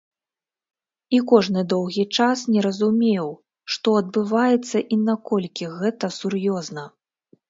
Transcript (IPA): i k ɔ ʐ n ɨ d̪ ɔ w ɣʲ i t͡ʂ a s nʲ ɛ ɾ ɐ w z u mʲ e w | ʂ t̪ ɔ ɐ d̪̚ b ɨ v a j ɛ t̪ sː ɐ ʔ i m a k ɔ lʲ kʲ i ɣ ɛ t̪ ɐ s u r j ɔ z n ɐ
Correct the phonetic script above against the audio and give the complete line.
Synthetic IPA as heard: i k ɔ ʐ n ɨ d̪ ɔ w ɣʲ i t͡ʂ a s nʲ ɛ ɾ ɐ z u mʲ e w | ʂ t̪ ɔ ɐ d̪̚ b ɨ v a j ɛ t̪ sː ɐ ʔ i n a k ɔ lʲ kʲ i ɣ ɛ t̪ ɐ s u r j ɔ z n ɐ

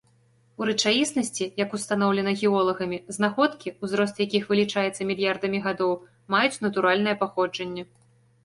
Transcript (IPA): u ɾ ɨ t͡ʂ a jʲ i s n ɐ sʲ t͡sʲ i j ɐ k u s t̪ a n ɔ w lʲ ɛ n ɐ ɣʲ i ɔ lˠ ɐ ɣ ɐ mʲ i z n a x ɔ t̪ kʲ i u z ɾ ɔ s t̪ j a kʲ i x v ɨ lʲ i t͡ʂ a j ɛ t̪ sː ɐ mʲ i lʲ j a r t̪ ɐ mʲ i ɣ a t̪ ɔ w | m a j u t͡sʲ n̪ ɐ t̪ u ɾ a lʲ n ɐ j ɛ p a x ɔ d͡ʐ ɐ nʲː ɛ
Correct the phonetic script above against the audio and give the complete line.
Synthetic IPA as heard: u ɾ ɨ t͡ʂ a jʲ i s n ɐ sʲ t͡sʲ i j ɐ k u s t̪ a n ɔ w lʲ ɛ n ɐ ɣʲ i ɔ lˠ ɐ ɣ ɐ mʲ i z n a x ɔ t̪ kʲ i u z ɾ ɔ s t̪ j a kʲ i x v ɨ lʲ i t͡ʂ a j ɛ t̪ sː ɐ mʲ i lʲ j a r d̪ ɐ mʲ i ɣ a d̪ ɔ w | m a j u t͡sʲ n̪ ɐ t̪ u ɾ a lʲ n ɐ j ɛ p a x ɔ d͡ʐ ɐ nʲː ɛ

